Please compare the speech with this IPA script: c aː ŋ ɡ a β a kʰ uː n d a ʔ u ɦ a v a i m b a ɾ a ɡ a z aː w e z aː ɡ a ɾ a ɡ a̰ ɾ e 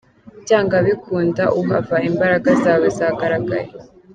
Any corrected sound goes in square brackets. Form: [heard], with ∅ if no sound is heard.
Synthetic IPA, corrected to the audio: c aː ŋ ɡ a β [i] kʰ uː n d a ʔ u ɦ a v a i m b a ɾ a ɡ a z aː w e z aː ɡ a ɾ a ɡ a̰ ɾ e